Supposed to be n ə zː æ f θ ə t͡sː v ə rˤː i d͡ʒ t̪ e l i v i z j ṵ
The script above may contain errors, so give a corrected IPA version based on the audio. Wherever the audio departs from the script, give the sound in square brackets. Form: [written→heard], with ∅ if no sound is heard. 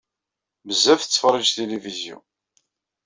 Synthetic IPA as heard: [n→m] ə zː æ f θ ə t͡sː [v→f] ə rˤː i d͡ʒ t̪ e l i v i z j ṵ